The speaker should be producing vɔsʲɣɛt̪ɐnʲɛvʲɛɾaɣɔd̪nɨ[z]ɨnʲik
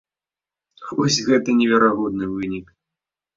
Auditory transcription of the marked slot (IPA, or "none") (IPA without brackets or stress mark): v